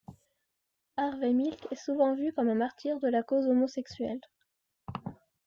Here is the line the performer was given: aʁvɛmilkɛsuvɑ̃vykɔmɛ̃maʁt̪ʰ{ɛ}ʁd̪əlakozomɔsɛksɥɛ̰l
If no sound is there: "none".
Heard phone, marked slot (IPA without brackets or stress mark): i